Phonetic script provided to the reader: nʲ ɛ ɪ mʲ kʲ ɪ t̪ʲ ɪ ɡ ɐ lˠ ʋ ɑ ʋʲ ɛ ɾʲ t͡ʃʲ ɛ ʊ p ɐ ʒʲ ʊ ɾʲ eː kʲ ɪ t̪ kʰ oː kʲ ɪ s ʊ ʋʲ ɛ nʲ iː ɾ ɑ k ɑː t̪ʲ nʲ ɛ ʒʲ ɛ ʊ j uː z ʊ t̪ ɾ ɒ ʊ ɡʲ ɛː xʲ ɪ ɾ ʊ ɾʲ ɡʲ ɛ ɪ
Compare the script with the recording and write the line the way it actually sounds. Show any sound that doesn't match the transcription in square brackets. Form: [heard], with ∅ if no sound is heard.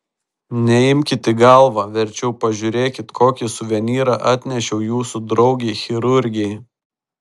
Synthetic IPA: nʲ ɛ ɪ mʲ kʲ ɪ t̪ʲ ɪ ɡ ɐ lˠ ʋ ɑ ʋʲ ɛ ɾʲ t͡ʃʲ ɛ ʊ p ɐ ʒʲ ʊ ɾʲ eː kʲ ɪ t̪ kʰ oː kʲ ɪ s ʊ ʋʲ ɛ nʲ iː ɾ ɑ [ʔ] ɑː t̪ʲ nʲ ɛ [ʃʲ] ɛ ʊ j uː [s] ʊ [d̪] ɾ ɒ ʊ ɡʲ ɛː xʲ ɪ ɾ ʊ ɾʲ ɡʲ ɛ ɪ